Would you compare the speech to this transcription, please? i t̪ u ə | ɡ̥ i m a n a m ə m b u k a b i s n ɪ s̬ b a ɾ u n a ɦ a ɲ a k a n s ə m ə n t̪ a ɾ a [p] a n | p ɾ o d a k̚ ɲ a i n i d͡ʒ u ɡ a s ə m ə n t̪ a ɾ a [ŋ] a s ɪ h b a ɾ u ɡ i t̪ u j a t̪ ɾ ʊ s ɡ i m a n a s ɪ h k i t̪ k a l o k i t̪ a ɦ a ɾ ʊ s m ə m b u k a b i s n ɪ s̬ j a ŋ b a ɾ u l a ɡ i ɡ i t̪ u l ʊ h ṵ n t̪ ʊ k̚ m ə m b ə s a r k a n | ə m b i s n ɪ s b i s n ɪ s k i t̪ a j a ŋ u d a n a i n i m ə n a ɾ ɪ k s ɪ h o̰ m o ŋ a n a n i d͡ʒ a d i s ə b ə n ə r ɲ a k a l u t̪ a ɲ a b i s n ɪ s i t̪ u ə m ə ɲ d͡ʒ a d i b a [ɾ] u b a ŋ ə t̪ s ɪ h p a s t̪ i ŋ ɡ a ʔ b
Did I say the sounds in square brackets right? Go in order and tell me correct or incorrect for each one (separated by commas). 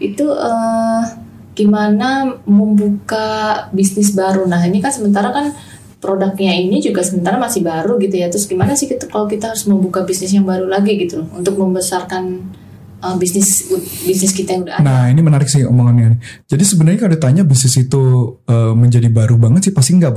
incorrect, incorrect, correct